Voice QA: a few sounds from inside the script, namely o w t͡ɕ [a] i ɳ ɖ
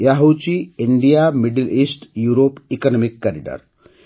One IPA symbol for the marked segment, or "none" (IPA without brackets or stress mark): i